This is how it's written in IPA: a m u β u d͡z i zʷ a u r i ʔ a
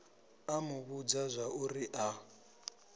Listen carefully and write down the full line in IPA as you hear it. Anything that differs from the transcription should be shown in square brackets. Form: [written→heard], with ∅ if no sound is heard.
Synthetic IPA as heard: a m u β u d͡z [i→a] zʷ a u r i ʔ a